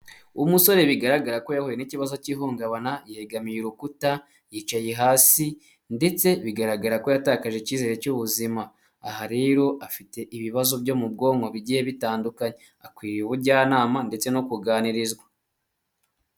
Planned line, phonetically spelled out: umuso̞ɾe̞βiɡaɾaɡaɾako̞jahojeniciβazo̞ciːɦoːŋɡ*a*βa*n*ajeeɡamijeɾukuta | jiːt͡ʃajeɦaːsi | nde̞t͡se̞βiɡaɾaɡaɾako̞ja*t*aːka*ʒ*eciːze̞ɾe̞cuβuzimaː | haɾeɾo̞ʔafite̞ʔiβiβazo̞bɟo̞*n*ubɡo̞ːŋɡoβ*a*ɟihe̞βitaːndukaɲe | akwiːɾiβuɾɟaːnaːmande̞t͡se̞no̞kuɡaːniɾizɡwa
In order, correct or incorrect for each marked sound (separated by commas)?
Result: correct, correct, correct, correct, incorrect, incorrect